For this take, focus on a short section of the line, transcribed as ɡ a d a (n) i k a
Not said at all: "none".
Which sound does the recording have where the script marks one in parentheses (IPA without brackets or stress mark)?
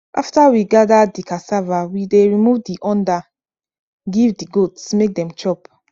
d